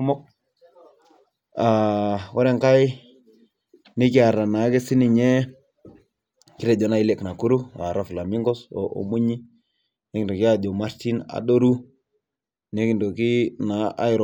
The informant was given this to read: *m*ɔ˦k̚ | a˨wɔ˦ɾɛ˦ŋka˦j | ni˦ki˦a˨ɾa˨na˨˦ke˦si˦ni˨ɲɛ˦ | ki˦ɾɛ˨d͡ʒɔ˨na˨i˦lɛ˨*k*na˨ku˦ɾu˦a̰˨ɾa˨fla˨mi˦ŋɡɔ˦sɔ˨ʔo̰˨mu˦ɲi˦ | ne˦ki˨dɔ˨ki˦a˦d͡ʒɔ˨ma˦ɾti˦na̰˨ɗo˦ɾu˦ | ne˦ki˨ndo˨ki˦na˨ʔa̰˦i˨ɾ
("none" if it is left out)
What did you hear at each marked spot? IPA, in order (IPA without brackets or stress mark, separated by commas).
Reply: m, k